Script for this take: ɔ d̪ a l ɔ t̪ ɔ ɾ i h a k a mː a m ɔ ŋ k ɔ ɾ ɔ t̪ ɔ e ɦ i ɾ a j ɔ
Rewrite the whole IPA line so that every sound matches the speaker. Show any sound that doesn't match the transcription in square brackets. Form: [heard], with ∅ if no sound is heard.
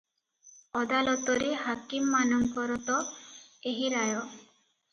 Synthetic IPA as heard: ɔ d̪ a l ɔ t̪ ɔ ɾ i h a k [i] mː a [n] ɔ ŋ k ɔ ɾ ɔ t̪ ɔ e ɦ i ɾ a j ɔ